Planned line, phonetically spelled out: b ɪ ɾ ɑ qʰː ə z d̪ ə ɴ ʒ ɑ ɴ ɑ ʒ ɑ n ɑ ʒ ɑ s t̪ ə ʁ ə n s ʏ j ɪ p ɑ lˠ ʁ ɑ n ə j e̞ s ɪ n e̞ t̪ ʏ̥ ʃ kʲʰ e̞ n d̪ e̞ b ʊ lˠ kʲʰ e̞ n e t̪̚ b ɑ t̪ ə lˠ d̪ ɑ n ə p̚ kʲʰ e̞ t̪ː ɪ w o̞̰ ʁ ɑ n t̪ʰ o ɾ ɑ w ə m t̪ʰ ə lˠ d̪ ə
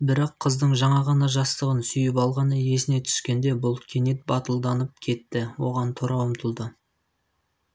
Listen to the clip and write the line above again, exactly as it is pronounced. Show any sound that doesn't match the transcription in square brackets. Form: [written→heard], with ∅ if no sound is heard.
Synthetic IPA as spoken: b ɪ ɾ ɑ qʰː ə z d̪ ə ɴ ʒ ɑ ɴ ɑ [ʒ→ʁ] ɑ n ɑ ʒ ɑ s t̪ ə ʁ ə n s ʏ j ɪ p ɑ lˠ ʁ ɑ n ə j e̞ s ɪ n e̞ [t̪→t̪ʰ] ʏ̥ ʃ [kʲʰ→kʲ] e̞ n d̪ e̞ b ʊ lˠ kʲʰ e̞ n e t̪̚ b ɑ t̪ ə lˠ d̪ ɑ n ə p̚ kʲʰ e̞ t̪ː ɪ w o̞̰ ʁ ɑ n t̪ʰ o ɾ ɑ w ə m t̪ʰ ə lˠ d̪ ə